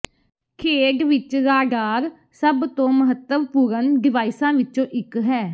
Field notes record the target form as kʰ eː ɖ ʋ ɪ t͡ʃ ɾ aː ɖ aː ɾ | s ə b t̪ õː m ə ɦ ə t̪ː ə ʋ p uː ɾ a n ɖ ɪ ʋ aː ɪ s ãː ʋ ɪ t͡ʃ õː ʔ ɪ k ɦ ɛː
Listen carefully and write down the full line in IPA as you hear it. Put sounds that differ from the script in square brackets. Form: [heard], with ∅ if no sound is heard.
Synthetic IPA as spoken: kʰ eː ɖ ʋ ɪ t͡ʃ ɾ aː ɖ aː ɾ | s ə b t̪ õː m ə ɦ ə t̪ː ə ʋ p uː ɾ [ə] n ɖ ɪ ʋ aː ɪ s ãː ʋ ɪ t͡ʃ õː ʔ ɪ k ɦ ɛː